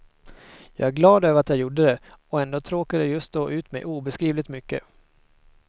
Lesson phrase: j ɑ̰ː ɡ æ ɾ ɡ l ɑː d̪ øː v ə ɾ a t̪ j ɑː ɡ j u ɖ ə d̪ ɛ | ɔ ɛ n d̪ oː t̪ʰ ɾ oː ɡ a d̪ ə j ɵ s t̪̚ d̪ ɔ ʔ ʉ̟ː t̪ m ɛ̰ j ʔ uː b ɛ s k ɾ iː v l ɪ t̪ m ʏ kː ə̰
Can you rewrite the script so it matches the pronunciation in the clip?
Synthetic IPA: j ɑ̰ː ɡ æ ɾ ɡ l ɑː d̪ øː v ə ɾ a t̪ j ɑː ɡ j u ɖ ə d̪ ɛ | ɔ ɛ n d̪ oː t̪ʰ ɾ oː k a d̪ ə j ɵ s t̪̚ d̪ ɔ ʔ ʉ̟ː t̪ m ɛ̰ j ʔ uː b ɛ s k ɾ iː v l ɪ t̪ m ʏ kː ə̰